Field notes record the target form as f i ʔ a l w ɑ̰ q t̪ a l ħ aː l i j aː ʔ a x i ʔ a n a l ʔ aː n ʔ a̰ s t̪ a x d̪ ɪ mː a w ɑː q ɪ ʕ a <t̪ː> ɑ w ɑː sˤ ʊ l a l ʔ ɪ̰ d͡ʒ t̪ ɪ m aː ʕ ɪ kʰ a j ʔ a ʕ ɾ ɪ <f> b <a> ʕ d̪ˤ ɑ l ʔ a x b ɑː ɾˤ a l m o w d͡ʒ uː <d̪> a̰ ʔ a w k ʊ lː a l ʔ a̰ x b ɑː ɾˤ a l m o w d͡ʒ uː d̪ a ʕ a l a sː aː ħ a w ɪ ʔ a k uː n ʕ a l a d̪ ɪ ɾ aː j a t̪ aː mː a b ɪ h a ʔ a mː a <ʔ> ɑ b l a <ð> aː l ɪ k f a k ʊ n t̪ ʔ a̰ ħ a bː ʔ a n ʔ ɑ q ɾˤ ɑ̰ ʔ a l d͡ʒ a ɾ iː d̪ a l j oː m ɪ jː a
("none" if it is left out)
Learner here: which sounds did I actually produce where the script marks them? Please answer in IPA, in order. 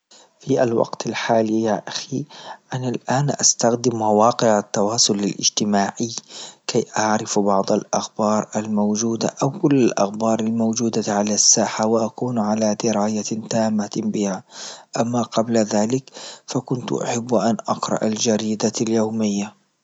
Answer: t̪ː, f, ɑ, d̪, q, ð

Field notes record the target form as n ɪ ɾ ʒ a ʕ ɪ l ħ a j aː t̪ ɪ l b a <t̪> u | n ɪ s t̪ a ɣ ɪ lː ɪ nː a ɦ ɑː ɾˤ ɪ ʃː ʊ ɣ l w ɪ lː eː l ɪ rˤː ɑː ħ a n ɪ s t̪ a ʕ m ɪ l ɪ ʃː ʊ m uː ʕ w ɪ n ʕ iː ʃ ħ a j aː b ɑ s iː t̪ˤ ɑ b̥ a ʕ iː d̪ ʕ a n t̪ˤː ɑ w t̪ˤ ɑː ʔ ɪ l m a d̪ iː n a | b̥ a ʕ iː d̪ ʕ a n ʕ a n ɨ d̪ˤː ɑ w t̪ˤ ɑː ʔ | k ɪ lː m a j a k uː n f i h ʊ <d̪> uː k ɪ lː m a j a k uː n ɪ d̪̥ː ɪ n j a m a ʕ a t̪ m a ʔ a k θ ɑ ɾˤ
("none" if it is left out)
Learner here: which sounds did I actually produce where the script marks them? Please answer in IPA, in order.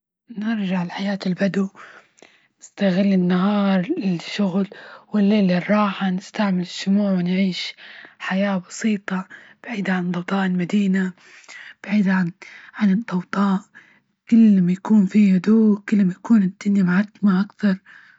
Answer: d̪, d̪

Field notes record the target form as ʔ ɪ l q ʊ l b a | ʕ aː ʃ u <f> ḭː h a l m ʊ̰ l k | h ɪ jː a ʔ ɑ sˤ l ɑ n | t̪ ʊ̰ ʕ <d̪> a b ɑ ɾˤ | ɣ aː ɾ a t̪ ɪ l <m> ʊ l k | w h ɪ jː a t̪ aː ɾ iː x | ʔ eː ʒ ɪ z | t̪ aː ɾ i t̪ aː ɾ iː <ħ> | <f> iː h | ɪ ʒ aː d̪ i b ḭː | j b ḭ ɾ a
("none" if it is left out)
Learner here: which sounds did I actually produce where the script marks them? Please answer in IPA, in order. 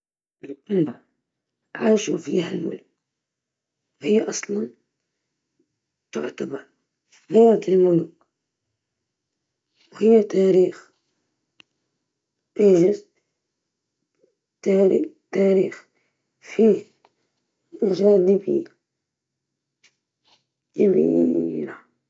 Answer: f, t̪, m, x, f

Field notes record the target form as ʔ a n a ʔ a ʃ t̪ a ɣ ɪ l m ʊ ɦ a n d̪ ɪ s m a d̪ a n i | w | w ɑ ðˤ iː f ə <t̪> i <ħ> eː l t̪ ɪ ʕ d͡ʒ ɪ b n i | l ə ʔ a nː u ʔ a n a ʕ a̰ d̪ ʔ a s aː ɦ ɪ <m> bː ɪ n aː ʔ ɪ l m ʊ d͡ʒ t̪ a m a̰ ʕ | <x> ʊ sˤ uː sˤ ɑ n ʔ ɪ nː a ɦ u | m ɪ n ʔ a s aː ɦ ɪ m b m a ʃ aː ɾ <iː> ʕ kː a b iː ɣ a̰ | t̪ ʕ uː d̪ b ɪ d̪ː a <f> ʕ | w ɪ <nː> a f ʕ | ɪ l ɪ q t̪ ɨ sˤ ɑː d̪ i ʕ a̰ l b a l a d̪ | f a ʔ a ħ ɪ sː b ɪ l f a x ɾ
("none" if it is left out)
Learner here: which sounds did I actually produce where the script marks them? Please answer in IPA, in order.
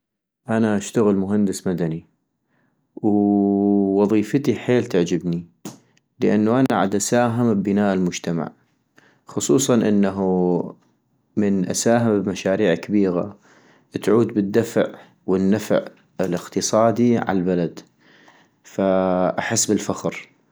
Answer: t̪, ħ, m, x, iː, f, nː

